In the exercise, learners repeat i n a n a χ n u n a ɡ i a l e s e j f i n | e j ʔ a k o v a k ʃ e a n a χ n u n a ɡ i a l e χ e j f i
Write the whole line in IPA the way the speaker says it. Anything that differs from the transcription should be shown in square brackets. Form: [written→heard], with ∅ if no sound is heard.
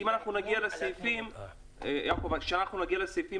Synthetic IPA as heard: i [n→m] a n a χ n u n a ɡ i a l e s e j f i [n→m] | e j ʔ a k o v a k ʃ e a n a χ n u n a ɡ i a l e [χ→s] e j f i